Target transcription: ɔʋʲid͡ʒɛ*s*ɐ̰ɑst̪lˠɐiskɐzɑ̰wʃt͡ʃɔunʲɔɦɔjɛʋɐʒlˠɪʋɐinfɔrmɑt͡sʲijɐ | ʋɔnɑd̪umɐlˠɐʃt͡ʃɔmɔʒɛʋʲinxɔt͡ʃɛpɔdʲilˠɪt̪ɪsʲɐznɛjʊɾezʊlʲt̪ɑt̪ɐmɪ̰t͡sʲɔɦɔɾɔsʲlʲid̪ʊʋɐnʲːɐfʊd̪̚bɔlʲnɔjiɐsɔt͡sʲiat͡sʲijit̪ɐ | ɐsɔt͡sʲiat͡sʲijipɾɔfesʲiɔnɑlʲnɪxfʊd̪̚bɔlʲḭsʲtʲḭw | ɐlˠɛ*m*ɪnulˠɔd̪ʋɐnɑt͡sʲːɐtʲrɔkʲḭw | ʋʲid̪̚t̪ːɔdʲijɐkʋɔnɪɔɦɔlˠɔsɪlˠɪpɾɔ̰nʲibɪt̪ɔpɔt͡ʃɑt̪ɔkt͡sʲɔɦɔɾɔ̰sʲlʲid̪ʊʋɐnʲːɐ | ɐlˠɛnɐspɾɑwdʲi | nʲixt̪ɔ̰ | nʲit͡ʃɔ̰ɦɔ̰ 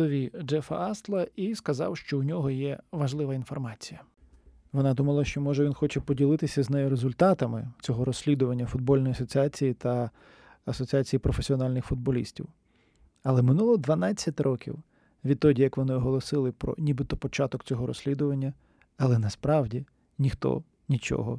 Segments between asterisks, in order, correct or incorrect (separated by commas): incorrect, correct